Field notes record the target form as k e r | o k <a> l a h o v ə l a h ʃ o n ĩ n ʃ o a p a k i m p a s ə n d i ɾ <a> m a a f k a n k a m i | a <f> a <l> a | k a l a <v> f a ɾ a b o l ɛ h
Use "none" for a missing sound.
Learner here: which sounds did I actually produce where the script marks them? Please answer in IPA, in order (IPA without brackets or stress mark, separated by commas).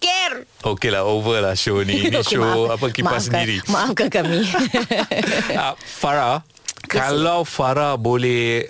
e, i, f, ɾ, w